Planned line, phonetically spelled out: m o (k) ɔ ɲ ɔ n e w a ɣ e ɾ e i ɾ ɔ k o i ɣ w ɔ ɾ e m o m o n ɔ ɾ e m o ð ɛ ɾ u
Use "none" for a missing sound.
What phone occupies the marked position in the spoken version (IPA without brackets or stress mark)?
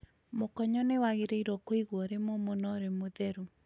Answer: k